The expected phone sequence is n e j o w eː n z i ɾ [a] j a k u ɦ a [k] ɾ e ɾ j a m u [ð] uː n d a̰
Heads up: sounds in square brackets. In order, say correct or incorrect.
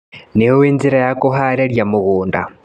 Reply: correct, incorrect, incorrect

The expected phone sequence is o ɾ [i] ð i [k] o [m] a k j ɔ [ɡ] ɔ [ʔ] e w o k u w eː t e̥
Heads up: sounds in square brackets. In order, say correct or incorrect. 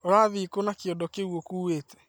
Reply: incorrect, correct, incorrect, incorrect, incorrect

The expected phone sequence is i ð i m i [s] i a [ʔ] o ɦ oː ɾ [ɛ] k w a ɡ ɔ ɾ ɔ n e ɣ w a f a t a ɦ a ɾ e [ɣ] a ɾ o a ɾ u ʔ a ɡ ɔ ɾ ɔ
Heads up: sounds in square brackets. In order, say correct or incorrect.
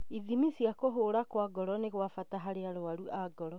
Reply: correct, incorrect, incorrect, incorrect

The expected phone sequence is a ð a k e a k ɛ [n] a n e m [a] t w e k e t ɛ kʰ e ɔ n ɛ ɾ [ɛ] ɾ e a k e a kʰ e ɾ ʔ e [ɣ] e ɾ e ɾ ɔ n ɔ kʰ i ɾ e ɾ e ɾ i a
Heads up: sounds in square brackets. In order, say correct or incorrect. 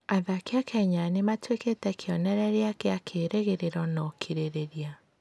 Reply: incorrect, correct, correct, correct

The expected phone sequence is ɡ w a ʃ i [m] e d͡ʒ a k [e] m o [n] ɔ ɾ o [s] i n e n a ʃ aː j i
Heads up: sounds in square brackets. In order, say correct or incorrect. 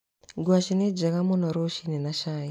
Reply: incorrect, incorrect, correct, incorrect

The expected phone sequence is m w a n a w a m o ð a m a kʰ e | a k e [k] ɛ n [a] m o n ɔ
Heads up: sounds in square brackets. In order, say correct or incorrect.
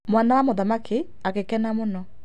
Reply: correct, correct

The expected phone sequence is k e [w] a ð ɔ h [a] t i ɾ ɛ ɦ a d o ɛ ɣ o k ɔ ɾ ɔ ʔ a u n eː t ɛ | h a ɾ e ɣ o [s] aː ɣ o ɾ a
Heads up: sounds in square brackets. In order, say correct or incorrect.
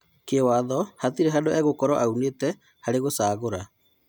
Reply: correct, correct, correct

